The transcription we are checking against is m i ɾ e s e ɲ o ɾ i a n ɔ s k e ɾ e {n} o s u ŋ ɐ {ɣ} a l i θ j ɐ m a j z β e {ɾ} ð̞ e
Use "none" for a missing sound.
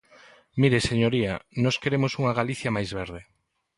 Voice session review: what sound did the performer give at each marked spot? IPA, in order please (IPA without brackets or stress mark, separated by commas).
m, ɣ, ɾ